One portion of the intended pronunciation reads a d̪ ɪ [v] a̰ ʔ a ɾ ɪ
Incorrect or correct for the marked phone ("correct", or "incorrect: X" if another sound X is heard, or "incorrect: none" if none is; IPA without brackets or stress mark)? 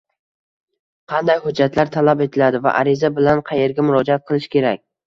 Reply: correct